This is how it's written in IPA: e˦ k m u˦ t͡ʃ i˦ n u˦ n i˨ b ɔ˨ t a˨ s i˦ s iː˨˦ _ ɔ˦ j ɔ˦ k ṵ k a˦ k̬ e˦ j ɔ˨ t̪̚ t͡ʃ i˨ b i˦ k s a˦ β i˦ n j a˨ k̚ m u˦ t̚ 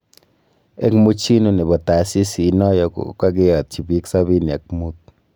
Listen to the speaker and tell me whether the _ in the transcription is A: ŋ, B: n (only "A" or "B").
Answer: B